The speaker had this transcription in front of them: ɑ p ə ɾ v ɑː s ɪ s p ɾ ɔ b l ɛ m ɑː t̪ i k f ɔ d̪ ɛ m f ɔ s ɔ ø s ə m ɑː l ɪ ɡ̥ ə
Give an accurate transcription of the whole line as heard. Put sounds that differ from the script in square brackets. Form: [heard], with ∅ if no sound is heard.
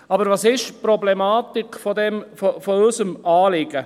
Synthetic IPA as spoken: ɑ [b] ə ɾ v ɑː s ɪ [ʃ] p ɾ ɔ b l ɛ m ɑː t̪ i k f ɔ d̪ ɛ m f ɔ [f] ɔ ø s ə m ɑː l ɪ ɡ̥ ə